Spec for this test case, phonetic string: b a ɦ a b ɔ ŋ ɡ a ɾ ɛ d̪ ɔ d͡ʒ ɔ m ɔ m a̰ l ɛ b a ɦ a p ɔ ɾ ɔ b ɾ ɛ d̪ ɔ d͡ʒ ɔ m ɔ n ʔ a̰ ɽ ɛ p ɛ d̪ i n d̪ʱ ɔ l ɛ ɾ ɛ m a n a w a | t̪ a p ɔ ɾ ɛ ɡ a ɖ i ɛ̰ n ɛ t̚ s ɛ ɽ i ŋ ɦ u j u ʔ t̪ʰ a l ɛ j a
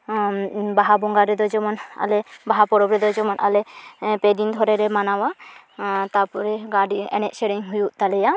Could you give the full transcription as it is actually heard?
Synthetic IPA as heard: b a ɦ a b ɔ ŋ ɡ a ɾ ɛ d̪ ɔ d͡ʒ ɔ m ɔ n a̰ l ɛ b a ɦ a p ɔ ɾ ɔ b ɾ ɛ d̪ ɔ d͡ʒ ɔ m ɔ n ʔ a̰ l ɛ p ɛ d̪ i n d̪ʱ ɔ ɾ ɛ ɾ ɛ m a n a w a | t̪ a p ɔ ɾ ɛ ɡ a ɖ i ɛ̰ n ɛ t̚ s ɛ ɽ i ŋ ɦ u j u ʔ t̪ a l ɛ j a